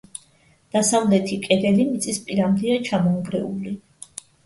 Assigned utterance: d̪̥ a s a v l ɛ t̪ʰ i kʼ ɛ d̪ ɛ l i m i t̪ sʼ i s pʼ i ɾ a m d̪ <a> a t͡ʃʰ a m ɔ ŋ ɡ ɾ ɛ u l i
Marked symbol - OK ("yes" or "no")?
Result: no